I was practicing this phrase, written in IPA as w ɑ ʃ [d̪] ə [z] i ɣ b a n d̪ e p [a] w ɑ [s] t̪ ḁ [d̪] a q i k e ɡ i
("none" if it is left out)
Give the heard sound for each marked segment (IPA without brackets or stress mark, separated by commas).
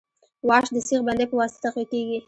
d̪, s, ə, s, t̪